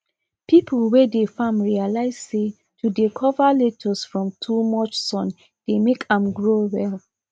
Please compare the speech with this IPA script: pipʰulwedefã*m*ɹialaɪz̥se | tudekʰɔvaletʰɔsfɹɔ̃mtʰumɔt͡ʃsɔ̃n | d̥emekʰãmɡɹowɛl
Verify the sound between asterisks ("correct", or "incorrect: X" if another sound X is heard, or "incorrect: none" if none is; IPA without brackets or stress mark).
correct